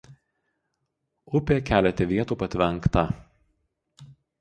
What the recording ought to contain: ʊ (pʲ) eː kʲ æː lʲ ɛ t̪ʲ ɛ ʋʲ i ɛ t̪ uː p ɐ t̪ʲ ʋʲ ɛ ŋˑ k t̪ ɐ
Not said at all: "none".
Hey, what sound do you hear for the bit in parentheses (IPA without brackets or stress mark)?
pʲ